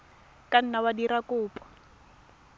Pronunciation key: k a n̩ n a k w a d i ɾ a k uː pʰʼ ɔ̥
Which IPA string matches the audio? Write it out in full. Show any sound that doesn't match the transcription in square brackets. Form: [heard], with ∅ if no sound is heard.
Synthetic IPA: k a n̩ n a [∅] w a d i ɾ a k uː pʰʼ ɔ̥